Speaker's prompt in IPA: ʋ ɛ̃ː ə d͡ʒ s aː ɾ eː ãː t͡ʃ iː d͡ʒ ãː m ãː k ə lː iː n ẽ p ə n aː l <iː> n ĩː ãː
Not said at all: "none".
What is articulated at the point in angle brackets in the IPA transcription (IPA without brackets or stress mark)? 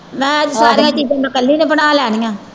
ɛː